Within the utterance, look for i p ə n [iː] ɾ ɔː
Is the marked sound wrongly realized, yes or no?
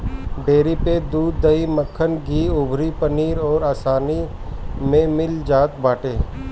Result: no